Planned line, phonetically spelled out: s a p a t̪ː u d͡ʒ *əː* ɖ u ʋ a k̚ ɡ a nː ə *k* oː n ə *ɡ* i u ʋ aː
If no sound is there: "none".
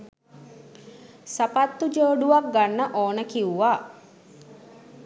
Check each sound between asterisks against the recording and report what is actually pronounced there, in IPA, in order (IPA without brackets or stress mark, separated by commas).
əː, ʔ, k